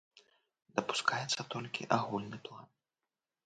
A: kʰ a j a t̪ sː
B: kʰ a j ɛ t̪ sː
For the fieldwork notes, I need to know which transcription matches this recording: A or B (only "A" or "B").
B